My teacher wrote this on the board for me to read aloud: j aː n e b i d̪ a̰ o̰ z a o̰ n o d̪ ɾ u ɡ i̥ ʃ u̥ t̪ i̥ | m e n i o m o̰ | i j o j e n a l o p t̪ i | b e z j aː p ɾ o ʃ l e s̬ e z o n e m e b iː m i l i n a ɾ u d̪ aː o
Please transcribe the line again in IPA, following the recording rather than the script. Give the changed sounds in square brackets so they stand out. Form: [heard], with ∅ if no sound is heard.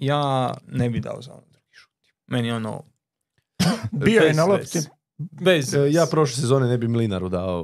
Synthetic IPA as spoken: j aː n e b i d̪ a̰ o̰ z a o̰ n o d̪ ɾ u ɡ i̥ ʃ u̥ t̪ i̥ | m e n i o [n] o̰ | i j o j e n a l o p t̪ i | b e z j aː p ɾ o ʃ l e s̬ e z o n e [n] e b [i] m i l i n a ɾ u d̪ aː o